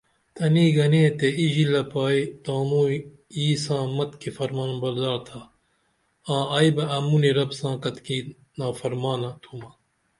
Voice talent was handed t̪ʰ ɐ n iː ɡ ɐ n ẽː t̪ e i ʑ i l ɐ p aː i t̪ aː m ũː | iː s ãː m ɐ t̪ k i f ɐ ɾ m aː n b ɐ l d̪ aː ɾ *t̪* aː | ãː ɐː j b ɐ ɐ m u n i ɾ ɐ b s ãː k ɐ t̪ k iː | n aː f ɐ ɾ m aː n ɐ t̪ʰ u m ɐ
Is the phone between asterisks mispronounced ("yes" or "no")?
yes